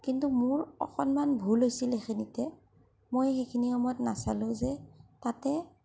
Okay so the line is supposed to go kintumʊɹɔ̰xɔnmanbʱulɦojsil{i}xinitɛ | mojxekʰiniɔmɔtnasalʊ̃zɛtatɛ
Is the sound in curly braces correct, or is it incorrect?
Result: incorrect